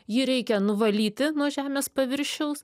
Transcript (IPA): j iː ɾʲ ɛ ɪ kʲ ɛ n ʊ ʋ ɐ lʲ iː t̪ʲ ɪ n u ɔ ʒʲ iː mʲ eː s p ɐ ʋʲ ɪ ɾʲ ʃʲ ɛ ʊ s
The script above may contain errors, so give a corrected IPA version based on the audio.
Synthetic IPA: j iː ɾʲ ɛ ɪ kʲ ɛ n ʊ ʋ ɐ lʲ iː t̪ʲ ɪ n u ɔ ʒʲ æː mʲ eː s p ɐ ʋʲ ɪ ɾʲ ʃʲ ɛ ʊ s